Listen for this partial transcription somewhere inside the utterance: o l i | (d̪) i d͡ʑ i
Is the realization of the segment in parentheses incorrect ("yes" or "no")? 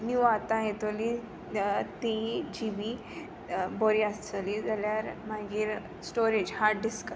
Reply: yes